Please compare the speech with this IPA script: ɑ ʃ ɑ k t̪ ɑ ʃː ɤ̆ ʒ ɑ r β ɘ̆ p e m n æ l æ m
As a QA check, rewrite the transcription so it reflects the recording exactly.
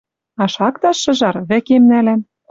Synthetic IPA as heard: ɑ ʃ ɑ k t̪ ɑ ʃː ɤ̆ ʒ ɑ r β ɘ̆ k e m n æ l æ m